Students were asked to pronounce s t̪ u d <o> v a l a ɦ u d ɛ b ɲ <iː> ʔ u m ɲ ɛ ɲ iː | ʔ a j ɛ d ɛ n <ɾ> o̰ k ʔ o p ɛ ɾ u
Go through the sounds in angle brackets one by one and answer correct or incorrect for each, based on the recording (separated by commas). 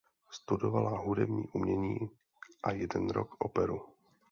correct, correct, correct